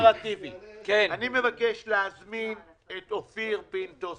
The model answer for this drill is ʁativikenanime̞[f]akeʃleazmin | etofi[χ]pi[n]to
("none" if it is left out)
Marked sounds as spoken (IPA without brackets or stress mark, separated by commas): v, ʁ, n